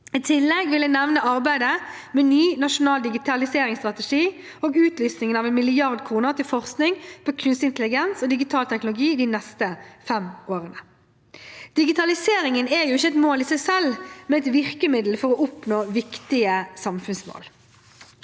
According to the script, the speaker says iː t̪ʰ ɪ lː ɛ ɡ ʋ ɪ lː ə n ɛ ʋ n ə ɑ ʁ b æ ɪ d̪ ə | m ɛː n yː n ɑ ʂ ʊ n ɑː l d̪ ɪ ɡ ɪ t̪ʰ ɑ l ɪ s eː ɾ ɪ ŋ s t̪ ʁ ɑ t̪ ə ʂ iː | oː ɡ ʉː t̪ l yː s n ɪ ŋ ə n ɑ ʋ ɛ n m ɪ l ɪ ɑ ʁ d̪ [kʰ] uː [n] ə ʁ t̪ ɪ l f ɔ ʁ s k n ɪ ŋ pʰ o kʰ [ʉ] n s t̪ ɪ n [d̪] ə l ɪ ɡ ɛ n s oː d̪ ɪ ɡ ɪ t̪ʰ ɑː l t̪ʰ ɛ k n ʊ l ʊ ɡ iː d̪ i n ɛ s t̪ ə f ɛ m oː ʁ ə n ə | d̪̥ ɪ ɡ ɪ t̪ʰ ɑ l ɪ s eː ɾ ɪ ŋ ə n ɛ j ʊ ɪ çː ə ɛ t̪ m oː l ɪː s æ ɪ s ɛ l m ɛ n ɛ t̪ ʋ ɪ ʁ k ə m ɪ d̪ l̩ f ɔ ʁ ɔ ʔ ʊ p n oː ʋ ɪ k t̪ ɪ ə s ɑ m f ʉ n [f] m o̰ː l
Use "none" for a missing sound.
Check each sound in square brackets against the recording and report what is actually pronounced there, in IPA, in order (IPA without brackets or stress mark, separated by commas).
kʰ, n, ʉ, t̪, s